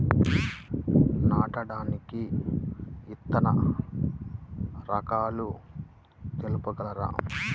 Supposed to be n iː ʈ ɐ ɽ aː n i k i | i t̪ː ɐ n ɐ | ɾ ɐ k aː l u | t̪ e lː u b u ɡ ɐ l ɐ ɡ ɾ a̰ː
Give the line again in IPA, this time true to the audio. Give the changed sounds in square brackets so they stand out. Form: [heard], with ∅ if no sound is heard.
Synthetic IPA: n [aː] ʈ ɐ ɽ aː n i k i | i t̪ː ɐ n ɐ | ɾ ɐ k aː l u | t̪ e [l] u [p] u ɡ ɐ l ɐ [∅] ɾ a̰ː